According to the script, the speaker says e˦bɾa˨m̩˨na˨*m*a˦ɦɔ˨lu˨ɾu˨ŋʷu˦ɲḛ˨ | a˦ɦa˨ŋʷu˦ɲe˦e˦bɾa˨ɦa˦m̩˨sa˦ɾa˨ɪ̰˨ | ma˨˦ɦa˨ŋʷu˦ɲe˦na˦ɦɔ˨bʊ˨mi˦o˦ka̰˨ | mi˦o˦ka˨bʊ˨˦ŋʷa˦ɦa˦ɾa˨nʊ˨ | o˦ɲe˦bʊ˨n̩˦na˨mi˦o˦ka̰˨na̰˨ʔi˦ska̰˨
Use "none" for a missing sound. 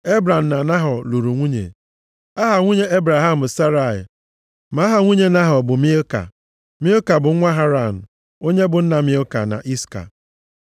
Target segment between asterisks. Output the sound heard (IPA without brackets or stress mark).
n